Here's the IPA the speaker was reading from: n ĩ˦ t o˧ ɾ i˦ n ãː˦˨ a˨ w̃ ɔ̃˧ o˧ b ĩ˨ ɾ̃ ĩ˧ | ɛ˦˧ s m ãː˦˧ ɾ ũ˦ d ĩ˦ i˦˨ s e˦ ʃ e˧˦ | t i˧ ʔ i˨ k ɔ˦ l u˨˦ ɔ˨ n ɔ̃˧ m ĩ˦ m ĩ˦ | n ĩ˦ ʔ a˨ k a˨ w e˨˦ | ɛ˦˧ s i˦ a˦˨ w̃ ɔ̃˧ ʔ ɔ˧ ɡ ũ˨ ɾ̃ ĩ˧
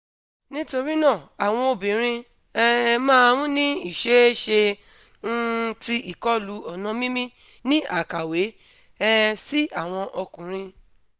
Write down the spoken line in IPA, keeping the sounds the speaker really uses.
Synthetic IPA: n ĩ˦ t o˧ ɾ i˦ n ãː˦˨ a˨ w̃ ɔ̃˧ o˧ b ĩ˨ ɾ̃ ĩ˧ | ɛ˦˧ m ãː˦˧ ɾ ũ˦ n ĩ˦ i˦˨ ʃ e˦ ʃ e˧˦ | t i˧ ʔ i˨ k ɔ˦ l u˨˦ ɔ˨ n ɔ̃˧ m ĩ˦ m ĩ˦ | n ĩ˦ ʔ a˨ k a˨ w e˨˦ | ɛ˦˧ s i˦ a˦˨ w̃ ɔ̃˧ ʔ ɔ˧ k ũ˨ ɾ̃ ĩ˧